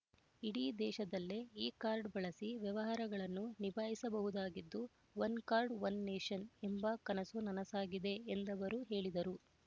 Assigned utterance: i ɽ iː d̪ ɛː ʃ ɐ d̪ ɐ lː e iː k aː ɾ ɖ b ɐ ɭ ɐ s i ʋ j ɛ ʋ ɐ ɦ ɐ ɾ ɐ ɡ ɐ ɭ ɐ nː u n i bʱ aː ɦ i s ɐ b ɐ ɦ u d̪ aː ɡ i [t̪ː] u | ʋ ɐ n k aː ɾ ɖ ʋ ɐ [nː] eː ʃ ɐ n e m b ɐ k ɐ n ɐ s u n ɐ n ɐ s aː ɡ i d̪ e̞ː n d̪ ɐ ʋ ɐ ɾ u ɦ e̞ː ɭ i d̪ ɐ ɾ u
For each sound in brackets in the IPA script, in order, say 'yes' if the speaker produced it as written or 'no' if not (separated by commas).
no, yes